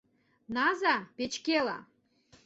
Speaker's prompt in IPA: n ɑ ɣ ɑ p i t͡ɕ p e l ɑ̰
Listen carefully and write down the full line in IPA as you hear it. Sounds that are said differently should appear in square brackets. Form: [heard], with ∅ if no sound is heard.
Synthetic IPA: n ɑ [z] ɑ p [e] t͡ɕ [k] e l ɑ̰